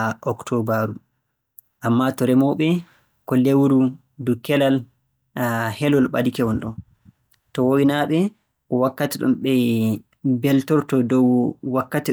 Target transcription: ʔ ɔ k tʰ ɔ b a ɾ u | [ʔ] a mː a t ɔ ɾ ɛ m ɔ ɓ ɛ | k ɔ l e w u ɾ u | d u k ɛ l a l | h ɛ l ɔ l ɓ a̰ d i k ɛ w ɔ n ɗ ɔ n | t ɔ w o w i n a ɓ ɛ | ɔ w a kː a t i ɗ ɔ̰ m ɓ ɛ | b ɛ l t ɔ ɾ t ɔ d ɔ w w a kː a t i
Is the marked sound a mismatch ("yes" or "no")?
no